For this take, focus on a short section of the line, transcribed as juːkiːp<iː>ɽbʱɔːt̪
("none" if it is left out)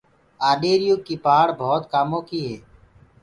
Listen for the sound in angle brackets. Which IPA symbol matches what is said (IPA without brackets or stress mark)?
aː